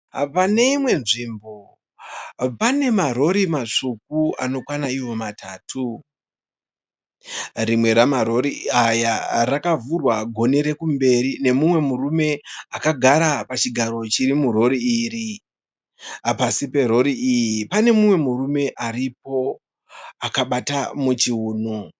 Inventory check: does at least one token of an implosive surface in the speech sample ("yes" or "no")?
yes